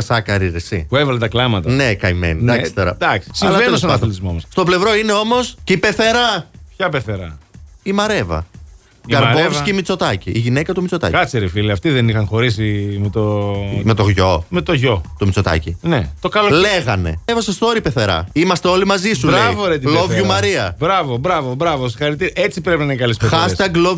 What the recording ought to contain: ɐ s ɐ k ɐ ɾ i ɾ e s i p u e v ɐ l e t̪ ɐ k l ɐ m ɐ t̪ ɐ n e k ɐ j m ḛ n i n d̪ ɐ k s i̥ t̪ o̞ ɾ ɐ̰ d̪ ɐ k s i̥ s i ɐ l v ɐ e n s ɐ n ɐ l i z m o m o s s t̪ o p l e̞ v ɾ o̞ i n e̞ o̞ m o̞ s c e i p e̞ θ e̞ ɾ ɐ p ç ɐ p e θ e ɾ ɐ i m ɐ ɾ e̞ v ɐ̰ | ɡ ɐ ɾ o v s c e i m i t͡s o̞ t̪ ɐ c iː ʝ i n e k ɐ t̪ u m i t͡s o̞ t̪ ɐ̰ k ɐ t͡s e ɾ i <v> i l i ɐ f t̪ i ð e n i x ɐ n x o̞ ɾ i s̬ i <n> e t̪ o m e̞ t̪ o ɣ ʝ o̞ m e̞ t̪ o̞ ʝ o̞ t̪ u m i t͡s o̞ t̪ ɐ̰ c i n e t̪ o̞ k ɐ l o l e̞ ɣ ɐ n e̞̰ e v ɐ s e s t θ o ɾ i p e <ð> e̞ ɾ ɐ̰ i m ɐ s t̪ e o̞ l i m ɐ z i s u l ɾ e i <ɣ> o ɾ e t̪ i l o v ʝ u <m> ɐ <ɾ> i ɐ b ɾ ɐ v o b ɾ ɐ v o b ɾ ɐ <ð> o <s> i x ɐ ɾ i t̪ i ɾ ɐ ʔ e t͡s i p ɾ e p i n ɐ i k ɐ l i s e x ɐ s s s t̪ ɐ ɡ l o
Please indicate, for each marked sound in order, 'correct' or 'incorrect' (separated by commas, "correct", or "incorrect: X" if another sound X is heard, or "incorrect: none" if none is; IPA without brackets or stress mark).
incorrect: f, incorrect: m, incorrect: θ, incorrect: v, correct, correct, incorrect: v, correct